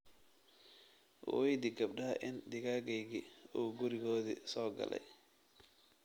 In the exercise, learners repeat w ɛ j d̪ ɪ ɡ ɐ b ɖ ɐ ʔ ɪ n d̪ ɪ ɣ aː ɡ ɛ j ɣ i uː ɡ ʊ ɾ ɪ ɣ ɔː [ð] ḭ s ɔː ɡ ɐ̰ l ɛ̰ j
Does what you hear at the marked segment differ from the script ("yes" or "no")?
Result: no